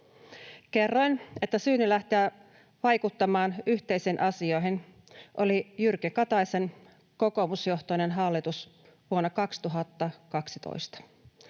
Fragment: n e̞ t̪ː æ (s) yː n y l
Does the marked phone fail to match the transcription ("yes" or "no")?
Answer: no